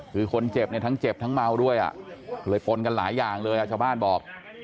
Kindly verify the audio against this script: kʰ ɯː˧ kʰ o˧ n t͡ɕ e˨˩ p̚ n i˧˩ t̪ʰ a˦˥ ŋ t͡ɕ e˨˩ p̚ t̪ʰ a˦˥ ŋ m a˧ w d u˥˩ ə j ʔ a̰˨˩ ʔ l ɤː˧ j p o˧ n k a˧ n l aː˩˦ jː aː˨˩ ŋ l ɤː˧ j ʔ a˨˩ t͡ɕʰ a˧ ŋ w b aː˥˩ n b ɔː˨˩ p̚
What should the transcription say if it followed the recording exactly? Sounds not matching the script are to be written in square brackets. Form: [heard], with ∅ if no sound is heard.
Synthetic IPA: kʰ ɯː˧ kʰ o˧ n t͡ɕ e˨˩ p̚ n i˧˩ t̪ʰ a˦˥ ŋ t͡ɕ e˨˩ p̚ t̪ʰ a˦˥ ŋ m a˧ w d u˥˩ ə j ʔ a̰˨˩ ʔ l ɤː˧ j p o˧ n k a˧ n l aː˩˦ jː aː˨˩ ŋ l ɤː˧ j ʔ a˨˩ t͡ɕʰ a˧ [∅] w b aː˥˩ n b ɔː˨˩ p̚